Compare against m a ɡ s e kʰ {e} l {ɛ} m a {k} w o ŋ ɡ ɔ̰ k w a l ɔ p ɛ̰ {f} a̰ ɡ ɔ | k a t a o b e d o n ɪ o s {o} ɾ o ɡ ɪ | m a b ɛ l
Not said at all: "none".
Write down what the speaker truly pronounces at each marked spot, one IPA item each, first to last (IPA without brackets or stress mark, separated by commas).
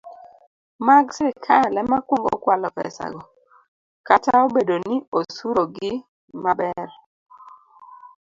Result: a, ɛ, k, s, u